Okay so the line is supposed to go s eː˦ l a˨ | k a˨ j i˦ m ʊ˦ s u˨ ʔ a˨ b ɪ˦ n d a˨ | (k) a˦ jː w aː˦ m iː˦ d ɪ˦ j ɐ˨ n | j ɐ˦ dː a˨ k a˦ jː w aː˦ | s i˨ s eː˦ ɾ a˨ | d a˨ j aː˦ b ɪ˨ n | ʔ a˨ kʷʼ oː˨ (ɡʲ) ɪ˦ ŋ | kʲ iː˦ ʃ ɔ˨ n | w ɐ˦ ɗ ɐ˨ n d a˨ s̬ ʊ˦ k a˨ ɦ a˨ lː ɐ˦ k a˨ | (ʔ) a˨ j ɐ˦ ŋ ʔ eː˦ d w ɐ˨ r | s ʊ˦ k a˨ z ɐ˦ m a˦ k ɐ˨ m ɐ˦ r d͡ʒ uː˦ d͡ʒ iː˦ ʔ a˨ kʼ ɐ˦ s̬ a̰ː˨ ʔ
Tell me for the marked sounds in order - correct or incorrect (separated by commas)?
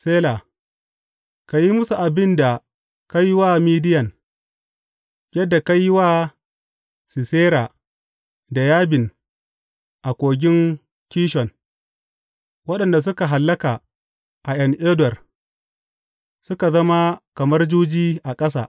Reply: correct, correct, correct